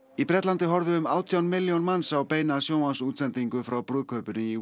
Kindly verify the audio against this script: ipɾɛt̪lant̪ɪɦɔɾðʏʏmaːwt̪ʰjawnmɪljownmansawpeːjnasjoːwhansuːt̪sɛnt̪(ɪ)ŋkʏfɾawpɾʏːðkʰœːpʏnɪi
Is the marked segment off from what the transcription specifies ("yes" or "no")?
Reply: yes